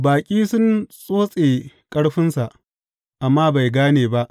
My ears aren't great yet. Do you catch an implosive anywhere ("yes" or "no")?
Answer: no